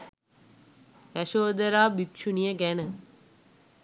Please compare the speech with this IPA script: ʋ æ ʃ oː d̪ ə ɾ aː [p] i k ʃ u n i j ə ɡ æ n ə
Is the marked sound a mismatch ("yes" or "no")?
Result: yes